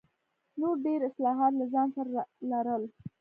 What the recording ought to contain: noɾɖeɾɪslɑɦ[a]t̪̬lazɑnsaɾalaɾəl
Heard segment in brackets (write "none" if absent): ɑ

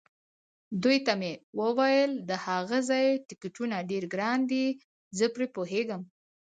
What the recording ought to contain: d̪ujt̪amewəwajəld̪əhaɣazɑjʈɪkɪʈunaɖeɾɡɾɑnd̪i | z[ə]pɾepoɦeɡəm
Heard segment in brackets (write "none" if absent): ə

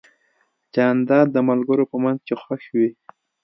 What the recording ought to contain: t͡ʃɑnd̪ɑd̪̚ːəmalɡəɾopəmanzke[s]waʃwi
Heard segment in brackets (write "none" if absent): x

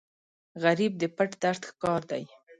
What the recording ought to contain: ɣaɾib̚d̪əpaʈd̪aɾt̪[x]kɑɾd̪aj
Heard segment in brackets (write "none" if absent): x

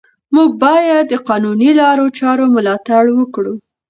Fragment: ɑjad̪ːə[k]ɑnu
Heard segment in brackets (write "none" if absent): q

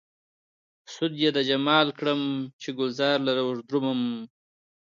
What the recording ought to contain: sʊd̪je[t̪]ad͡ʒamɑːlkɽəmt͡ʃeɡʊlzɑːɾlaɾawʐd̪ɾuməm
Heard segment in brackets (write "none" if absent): d̪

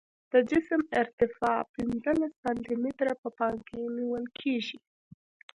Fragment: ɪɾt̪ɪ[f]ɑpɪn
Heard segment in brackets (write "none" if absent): f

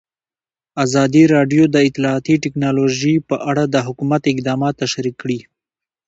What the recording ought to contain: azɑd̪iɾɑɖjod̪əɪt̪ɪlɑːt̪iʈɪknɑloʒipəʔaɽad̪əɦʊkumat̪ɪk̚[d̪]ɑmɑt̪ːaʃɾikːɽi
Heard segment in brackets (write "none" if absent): d̪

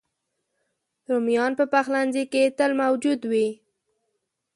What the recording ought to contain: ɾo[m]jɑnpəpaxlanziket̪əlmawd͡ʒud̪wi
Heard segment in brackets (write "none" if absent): m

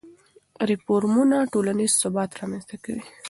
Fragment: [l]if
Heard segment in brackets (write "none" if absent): ɾ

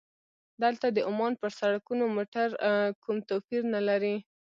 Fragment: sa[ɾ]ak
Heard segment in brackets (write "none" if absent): ɽ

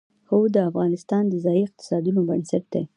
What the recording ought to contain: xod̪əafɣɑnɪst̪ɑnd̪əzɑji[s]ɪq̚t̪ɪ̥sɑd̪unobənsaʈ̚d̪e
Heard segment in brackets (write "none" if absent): none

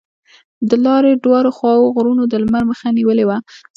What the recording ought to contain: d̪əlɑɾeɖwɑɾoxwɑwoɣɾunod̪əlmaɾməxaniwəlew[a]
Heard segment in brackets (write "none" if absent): a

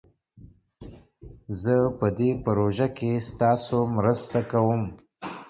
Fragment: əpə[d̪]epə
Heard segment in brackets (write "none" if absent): d̪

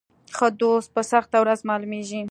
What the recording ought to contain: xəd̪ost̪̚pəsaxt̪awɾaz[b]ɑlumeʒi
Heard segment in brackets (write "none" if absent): m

